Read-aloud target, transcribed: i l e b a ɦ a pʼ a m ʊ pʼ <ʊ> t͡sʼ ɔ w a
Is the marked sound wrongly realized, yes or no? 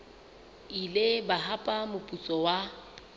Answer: yes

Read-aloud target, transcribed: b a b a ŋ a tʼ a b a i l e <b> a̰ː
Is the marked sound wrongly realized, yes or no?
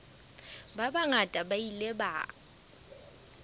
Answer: no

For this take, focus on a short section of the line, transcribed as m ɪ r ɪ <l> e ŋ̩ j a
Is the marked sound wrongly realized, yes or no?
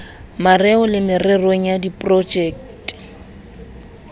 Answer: yes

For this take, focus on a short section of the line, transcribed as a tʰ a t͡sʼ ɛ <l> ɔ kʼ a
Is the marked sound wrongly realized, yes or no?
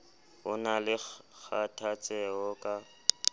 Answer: yes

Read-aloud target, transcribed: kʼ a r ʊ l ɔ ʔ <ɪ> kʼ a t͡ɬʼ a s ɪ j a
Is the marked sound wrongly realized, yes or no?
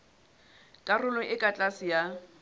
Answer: no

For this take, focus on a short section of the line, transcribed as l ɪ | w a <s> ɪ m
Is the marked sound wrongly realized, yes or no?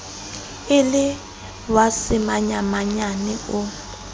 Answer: no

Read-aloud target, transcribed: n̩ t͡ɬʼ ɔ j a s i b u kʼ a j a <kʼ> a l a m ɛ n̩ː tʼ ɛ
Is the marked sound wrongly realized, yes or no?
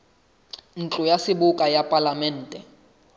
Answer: yes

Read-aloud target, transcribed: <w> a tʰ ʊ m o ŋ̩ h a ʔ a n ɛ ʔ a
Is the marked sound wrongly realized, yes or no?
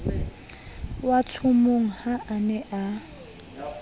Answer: no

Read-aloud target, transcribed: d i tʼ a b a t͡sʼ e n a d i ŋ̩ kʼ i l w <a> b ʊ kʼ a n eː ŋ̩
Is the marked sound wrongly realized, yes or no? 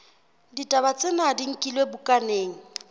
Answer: yes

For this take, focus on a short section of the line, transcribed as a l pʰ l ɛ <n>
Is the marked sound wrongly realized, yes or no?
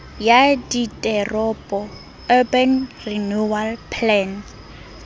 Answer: no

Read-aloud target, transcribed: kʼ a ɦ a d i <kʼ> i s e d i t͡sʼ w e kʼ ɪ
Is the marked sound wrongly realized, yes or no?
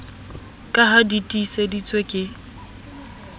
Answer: yes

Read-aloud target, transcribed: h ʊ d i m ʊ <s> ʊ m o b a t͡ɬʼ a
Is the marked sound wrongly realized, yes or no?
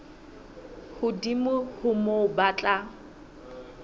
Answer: yes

